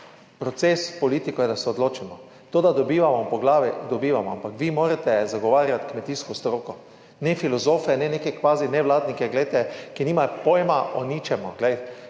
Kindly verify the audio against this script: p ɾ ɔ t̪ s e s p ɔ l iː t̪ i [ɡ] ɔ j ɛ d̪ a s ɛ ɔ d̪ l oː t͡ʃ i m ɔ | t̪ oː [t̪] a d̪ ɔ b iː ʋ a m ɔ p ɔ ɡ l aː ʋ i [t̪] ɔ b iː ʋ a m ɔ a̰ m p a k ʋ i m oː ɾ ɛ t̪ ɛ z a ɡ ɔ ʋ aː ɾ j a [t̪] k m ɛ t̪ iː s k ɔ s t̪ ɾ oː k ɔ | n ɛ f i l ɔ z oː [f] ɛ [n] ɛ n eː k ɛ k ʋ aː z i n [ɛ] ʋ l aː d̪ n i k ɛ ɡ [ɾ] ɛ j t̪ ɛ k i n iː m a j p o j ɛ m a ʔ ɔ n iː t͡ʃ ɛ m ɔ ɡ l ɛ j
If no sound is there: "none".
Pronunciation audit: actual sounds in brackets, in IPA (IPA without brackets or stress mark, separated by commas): k, d̪, d̪, t̪, f, n, ɛ, l